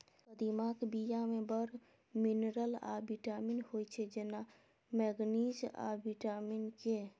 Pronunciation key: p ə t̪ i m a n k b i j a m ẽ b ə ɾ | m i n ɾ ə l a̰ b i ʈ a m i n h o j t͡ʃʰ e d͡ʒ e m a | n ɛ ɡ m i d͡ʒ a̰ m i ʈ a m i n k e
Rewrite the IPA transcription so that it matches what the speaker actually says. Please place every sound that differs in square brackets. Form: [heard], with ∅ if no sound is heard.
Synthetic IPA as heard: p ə [d̪] i m a [∅] k b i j a m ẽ b ə ɾ | m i n ɾ ə l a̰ b i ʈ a m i n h o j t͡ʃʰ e d͡ʒ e [n] a | [m] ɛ ɡ [n] i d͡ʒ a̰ [b] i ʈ a m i n k e